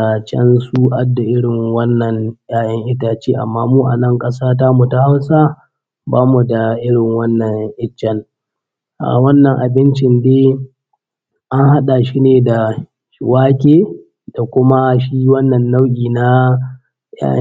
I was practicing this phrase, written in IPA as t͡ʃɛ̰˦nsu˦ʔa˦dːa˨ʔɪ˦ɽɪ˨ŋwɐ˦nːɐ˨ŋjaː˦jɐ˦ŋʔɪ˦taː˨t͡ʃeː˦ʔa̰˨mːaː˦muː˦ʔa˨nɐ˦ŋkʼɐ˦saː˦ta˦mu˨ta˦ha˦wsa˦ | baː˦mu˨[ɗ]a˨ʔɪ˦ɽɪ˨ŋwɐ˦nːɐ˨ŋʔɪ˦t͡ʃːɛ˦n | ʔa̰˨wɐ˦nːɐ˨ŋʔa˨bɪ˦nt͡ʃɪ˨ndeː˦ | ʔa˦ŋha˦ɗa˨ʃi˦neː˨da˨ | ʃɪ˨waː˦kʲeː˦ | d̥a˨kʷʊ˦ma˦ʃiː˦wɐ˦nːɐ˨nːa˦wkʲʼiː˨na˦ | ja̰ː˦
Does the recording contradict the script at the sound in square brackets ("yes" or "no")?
yes